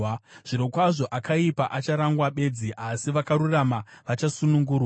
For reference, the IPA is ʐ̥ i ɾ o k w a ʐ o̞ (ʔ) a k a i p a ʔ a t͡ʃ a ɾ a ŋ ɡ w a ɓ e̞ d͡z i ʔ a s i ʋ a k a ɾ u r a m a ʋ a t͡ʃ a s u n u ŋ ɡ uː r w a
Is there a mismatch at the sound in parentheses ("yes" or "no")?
no